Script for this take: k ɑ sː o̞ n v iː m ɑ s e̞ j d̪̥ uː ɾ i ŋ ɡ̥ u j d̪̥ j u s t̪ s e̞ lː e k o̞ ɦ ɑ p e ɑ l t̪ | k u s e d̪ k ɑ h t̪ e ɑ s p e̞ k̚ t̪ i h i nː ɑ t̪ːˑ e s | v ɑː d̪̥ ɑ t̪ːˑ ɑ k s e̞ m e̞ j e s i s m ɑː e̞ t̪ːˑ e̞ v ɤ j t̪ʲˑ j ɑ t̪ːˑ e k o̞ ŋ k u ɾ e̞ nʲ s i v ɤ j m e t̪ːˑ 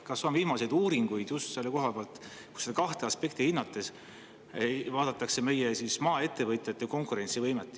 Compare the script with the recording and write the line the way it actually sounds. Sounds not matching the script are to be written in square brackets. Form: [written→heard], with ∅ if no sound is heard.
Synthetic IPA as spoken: k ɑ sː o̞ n v iː m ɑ s e̞ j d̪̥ uː ɾ i ŋ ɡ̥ u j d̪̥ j u s t̪ s e̞ lː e k o̞ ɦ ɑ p e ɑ l t̪ | k u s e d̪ k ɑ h t̪ e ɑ s p e̞ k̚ t̪ i h i nː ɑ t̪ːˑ e s | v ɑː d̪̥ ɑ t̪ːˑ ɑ k s e̞ m e̞ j e s i s m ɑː e̞ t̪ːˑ e̞ v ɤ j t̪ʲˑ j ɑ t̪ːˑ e k o̞ ŋ k u ɾ e̞ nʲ s i v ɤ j m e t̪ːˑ